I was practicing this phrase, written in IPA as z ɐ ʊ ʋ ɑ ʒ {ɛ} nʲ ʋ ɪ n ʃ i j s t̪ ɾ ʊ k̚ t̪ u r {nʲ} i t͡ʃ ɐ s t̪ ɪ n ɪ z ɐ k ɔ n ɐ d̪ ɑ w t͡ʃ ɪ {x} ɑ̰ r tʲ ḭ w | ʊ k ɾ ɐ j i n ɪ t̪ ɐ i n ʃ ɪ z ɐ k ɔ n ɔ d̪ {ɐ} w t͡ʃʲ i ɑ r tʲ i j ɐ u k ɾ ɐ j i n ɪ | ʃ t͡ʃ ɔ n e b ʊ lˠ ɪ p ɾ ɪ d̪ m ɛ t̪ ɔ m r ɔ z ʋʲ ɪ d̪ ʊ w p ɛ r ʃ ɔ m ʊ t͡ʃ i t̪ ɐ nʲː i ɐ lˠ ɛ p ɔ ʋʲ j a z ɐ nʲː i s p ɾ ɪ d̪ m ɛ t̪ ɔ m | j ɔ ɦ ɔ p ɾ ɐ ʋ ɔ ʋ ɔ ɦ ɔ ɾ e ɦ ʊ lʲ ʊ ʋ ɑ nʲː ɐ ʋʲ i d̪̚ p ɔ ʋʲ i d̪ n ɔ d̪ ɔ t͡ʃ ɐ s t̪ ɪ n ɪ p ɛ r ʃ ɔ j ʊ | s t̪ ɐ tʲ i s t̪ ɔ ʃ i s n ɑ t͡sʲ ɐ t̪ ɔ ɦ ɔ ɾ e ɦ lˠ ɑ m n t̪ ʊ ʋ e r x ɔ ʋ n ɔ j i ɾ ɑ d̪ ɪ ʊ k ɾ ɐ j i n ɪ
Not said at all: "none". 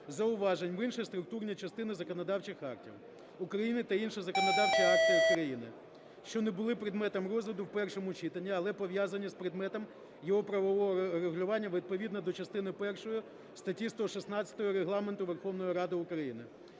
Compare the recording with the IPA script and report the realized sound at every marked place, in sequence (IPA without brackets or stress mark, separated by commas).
e, nʲ, x, ɑ